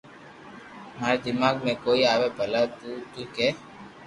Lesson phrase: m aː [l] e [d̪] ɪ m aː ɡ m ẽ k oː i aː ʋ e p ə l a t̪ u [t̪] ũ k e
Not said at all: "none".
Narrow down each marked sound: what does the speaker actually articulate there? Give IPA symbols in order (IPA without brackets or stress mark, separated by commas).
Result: ɾ, d̪, t̪